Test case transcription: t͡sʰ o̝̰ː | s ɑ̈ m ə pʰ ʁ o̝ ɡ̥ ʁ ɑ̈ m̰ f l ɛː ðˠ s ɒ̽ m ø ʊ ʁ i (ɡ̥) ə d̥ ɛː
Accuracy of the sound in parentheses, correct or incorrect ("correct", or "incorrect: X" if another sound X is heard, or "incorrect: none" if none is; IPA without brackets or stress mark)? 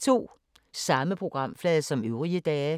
incorrect: none